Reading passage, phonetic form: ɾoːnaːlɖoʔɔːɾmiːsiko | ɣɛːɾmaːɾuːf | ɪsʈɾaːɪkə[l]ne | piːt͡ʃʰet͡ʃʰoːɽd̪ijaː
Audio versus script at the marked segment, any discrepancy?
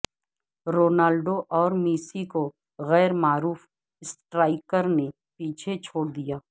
yes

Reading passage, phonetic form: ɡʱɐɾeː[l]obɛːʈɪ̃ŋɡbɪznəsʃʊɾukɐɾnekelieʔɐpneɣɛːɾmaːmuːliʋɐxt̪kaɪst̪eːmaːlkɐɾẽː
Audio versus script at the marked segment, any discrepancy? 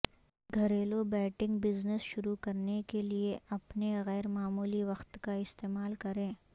no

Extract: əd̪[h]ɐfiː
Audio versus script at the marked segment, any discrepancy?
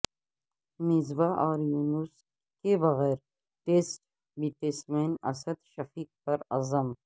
yes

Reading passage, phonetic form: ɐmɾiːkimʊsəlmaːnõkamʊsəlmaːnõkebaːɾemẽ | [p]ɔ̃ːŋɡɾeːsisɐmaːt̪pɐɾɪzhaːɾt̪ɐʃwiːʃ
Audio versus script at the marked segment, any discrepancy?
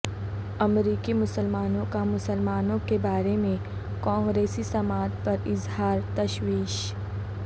yes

